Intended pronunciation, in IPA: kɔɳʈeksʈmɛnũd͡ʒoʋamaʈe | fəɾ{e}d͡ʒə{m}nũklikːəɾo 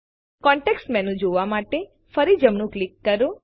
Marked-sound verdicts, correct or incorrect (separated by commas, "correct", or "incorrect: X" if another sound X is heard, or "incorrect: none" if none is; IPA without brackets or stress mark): incorrect: i, correct